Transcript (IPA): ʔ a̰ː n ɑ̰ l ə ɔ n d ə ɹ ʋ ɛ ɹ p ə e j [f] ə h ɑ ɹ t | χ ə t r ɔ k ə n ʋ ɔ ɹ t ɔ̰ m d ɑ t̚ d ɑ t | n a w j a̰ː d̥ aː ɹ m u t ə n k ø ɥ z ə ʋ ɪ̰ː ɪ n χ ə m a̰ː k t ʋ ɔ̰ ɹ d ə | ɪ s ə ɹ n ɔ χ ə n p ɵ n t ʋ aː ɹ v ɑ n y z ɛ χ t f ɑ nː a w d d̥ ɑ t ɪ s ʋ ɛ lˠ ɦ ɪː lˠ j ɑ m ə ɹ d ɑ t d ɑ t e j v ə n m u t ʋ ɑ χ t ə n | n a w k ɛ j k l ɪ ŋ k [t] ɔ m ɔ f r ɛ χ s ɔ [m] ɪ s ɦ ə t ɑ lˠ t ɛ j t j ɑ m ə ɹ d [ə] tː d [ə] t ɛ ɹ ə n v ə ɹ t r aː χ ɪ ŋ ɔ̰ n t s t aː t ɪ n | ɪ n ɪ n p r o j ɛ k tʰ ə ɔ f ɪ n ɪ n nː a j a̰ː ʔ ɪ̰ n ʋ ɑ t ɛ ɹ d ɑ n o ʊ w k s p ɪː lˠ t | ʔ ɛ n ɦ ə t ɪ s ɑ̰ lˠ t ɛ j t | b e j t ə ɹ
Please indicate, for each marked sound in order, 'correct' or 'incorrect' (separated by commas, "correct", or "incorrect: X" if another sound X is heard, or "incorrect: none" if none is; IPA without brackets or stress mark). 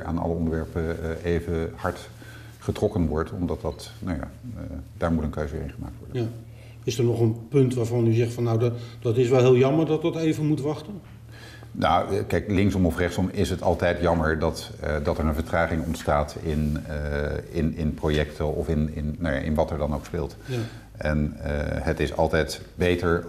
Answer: incorrect: v, incorrect: s, correct, incorrect: ɑ, incorrect: ɑ